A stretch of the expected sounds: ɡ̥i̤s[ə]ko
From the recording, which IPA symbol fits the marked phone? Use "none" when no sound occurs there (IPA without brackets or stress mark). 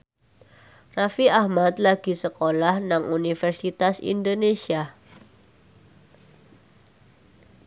ə